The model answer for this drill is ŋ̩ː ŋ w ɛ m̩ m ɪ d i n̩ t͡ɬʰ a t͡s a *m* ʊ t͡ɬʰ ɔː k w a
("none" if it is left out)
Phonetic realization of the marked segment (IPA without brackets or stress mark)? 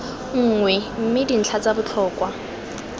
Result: b